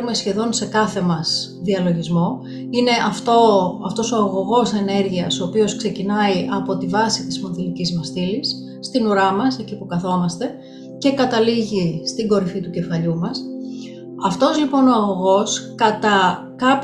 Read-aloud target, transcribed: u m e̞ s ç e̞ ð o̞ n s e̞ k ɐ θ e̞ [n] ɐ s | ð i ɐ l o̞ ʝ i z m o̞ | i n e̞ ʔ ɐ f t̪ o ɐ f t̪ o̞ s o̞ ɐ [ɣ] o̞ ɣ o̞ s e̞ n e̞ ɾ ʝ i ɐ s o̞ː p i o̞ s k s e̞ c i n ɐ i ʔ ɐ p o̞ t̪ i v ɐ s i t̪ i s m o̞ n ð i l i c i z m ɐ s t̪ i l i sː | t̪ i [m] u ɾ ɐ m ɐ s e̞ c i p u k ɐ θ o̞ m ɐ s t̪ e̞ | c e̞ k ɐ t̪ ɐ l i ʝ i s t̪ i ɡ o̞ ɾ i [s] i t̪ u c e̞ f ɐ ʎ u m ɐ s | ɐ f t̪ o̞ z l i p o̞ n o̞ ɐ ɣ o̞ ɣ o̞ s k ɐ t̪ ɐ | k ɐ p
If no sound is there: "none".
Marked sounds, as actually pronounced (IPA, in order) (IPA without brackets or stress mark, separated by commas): m, ɣ, n, f